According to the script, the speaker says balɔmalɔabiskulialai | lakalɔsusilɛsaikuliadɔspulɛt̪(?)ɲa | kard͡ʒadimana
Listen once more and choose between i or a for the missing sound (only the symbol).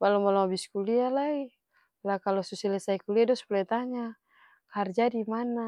a